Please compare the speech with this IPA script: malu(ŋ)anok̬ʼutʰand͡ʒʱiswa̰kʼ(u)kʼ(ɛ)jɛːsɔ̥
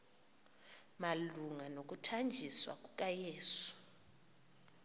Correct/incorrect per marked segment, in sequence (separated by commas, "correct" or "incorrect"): correct, correct, incorrect